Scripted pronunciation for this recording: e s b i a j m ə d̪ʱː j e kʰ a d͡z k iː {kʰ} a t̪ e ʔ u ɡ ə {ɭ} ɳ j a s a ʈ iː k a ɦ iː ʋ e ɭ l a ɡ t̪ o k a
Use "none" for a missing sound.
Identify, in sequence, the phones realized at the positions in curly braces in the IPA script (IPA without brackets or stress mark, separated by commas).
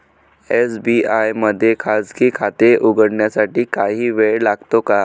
kʰ, ɽ